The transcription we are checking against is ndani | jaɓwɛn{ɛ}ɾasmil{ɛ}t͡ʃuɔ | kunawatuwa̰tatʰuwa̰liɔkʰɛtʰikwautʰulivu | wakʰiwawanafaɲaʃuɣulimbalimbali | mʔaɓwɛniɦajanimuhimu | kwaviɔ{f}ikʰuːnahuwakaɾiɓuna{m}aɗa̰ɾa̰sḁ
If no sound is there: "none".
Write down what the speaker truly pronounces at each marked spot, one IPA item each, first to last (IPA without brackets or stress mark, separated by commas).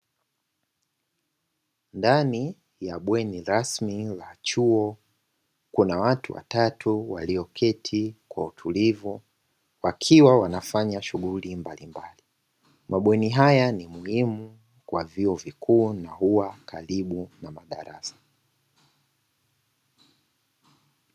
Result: i, a, v, m